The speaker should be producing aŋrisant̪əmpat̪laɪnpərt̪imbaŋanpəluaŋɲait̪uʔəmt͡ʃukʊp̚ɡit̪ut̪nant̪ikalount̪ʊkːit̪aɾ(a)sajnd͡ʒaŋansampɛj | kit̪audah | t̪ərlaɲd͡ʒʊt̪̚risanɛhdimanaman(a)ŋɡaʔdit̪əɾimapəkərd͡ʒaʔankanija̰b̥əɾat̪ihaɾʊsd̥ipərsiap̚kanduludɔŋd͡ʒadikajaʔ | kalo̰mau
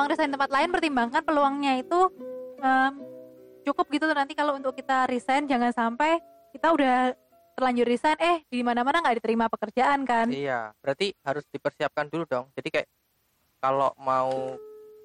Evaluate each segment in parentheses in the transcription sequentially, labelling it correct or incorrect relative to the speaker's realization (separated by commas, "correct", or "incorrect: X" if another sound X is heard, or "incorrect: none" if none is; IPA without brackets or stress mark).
incorrect: i, correct